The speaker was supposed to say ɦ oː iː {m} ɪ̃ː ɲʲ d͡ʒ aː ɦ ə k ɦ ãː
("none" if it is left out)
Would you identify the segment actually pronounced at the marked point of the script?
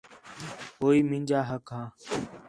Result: m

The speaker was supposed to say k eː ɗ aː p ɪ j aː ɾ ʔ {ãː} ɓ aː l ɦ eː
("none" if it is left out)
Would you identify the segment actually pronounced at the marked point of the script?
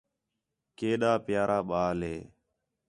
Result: aː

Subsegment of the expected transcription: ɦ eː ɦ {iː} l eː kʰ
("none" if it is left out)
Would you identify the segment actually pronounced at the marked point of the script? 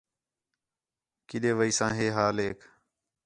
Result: aː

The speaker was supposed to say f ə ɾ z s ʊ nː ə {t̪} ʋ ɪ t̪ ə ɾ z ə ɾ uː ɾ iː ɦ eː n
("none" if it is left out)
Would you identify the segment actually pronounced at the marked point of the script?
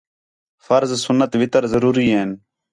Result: t̪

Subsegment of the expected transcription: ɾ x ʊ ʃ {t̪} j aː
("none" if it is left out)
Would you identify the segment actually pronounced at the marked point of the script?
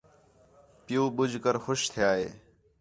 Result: t̪ʰ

